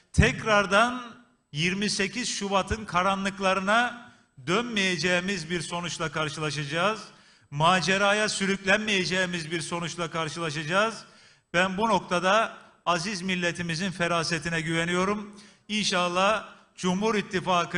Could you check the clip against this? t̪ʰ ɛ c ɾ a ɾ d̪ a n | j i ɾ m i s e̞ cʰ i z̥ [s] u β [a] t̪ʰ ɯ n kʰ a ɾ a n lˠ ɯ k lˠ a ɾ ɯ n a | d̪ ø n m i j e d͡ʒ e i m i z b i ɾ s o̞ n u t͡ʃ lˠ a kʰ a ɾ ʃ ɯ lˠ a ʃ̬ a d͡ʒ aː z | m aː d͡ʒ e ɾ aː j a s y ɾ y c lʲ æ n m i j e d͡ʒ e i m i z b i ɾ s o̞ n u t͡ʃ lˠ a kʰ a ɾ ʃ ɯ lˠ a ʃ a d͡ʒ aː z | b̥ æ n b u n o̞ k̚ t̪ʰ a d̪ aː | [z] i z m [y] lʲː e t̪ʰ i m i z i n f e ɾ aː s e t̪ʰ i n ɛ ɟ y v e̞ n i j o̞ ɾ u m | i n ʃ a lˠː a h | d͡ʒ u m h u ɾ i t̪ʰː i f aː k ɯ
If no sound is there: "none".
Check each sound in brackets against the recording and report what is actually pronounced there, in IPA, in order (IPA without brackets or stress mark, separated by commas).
ʃ, a, z, i